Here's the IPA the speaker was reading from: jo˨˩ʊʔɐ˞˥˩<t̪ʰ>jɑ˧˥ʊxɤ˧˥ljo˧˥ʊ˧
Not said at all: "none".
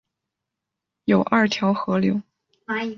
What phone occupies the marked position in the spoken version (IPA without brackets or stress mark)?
t̪ʰ